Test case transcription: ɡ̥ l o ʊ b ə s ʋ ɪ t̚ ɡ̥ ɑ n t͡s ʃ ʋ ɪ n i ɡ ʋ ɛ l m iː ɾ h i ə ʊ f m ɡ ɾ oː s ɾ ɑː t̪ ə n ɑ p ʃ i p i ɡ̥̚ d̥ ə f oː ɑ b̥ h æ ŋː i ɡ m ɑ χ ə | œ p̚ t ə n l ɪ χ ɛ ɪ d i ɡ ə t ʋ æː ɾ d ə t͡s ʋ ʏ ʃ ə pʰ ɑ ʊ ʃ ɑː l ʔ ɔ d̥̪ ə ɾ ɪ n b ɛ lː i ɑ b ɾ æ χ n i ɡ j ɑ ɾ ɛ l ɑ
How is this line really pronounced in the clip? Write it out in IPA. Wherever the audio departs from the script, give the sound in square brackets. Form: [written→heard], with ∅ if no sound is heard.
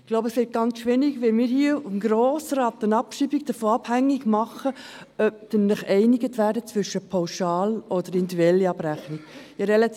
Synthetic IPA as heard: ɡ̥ l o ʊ b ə s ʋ ɪ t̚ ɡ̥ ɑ n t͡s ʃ ʋ ɪ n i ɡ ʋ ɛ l m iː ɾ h i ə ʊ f m ɡ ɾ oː s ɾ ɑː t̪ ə n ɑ p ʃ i [p→b] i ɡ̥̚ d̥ ə f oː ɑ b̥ h æ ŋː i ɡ m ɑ χ ə | œ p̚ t ə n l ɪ χ ɛ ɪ [d→n] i ɡ ə t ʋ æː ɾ d ə t͡s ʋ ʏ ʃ ə pʰ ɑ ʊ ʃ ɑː l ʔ ɔ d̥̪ ə ɾ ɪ n [b→d] ɛ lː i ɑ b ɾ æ χ n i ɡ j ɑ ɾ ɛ l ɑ